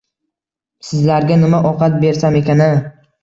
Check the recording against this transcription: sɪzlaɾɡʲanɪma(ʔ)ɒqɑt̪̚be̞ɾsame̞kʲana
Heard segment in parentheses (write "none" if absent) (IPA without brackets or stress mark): ʔ